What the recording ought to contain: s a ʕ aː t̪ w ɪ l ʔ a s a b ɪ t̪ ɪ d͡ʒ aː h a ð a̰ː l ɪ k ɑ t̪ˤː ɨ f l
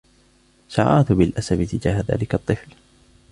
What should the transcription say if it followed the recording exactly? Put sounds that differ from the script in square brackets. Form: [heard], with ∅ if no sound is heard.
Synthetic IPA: s a ʕ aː t̪ [b] ɪ l ʔ a s a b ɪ t̪ ɪ d͡ʒ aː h a ð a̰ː l ɪ k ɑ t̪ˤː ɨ f l